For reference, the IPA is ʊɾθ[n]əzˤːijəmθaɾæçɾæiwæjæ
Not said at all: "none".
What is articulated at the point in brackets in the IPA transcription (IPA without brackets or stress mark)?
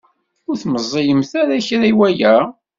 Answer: m